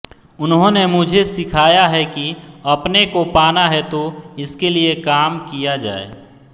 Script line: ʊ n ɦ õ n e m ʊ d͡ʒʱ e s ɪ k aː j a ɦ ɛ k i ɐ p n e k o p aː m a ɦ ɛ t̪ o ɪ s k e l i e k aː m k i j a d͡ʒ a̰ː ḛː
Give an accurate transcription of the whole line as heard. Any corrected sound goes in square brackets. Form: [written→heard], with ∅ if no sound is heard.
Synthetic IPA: ʊ n ɦ õ n e m ʊ d͡ʒʱ e s ɪ [k→kʰ] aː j a ɦ ɛ k i ɐ p n e k o p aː [m→n] a ɦ ɛ t̪ o ɪ s k e l i e k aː m k i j a d͡ʒ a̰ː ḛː